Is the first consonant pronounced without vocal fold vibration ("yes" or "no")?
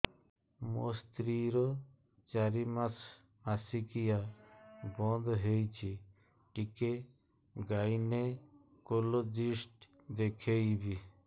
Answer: no